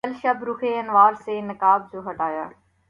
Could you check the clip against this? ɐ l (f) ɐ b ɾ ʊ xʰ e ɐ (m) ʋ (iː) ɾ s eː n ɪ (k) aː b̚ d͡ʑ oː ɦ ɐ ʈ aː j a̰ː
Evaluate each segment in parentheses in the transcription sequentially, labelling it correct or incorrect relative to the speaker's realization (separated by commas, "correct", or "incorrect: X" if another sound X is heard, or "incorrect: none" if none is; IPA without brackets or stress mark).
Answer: incorrect: ʃ, incorrect: n, incorrect: aː, correct